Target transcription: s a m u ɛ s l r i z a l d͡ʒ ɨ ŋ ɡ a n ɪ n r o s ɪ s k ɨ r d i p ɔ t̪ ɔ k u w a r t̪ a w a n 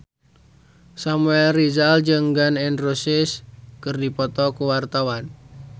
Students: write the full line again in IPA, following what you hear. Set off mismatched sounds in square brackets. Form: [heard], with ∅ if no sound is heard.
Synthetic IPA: s a m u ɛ [∅] l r i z a l d͡ʒ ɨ ŋ ɡ a n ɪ n r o s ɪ s k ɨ r d i p ɔ t̪ ɔ k u w a r t̪ a w a n